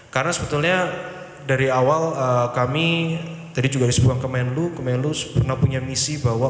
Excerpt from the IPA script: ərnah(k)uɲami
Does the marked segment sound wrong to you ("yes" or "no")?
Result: yes